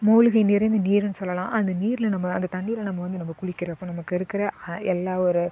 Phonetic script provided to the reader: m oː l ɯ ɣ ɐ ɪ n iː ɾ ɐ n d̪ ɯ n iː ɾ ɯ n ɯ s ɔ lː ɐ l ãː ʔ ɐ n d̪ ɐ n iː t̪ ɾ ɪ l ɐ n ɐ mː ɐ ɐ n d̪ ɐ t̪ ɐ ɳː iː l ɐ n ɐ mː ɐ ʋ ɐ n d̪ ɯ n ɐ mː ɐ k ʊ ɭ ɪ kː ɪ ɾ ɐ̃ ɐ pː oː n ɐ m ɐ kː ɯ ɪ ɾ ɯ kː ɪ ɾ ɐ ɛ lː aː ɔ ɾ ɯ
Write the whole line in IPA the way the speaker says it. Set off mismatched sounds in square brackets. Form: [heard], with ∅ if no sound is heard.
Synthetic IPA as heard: m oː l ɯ ɣ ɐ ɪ n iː ɾ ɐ n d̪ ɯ n iː ɾ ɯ n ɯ s ɔ lː ɐ l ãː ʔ ɐ n d̪ ɐ n iː [∅] ɾ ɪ l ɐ n ɐ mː ɐ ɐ n d̪ ɐ t̪ ɐ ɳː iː l ɐ n ɐ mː ɐ ʋ ɐ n d̪ ɯ n ɐ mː ɐ k ʊ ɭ ɪ kː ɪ ɾ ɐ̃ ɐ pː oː n ɐ m ɐ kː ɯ ɪ ɾ ɯ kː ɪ ɾ ɐ ɛ lː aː ɔ ɾ ɯ